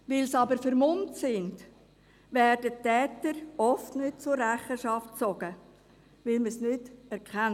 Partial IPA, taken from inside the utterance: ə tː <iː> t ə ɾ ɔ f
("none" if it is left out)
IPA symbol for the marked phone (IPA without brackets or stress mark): ɛː